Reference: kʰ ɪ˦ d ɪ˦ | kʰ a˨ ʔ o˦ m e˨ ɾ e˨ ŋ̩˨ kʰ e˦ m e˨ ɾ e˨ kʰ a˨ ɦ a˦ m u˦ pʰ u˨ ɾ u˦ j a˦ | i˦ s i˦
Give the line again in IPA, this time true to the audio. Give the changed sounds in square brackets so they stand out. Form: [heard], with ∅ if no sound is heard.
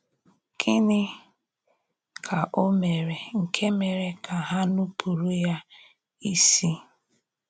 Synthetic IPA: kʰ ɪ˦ [n] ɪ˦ | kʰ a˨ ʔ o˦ m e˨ ɾ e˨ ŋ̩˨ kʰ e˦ m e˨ ɾ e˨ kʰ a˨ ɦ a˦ [n] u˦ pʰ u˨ ɾ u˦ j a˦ | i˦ s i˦